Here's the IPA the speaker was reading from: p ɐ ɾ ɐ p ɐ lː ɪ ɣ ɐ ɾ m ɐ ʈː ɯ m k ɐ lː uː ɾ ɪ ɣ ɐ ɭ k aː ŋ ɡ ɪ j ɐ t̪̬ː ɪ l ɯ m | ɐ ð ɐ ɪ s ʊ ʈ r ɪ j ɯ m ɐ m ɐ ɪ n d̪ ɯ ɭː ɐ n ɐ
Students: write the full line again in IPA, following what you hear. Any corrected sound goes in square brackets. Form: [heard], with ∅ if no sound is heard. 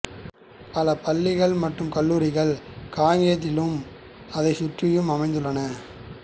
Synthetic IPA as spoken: p ɐ [l] ɐ p ɐ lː ɪ ɣ ɐ [ɭ] m ɐ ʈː ɯ m k ɐ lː uː ɾ ɪ ɣ ɐ ɭ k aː ŋ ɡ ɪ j ɐ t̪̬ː ɪ l ɯ m | ɐ ð ɐ ɪ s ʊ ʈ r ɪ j ɯ m ɐ m ɐ ɪ n d̪ ɯ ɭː ɐ n ɐ

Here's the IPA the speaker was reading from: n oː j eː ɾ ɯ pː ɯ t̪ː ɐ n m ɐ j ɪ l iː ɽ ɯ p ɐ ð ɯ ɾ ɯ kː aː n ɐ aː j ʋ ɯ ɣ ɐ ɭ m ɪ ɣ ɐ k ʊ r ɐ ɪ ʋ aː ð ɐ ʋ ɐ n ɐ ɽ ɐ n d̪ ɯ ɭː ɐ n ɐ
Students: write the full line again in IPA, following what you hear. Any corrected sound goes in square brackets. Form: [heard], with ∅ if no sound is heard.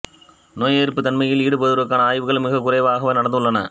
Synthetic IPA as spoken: n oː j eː ɾ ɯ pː ɯ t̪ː ɐ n m ɐ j ɪ l iː ɽ ɯ p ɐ ð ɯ ɾ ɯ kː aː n ɐ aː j ʋ ɯ ɣ ɐ ɭ m ɪ ɣ ɐ k ʊ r ɐ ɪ ʋ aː [ɣ] ɐ ʋ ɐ n ɐ ɽ ɐ n d̪ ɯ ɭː ɐ n ɐ

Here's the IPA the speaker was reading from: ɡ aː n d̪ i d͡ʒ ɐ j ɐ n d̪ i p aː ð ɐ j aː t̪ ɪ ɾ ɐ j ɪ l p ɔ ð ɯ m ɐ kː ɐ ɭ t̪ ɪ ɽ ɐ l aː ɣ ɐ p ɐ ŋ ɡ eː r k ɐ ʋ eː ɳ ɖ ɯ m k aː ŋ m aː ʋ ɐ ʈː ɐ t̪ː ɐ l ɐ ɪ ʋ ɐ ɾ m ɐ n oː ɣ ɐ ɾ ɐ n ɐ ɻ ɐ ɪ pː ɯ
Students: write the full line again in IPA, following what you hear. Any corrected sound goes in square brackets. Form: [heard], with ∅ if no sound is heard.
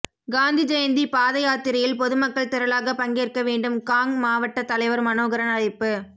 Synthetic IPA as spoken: ɡ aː n d̪ i d͡ʒ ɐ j ɐ n d̪ i p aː ð ɐ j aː t̪ ɪ ɾ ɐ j ɪ l p ɔ ð ɯ m ɐ kː ɐ ɭ t̪ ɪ [ɾ] ɐ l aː ɣ ɐ p ɐ ŋ ɡ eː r k ɐ ʋ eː ɳ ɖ ɯ m k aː ŋ m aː ʋ ɐ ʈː ɐ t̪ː ɐ l ɐ ɪ ʋ ɐ ɾ m ɐ n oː ɣ ɐ ɾ ɐ n ɐ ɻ ɐ ɪ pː ɯ

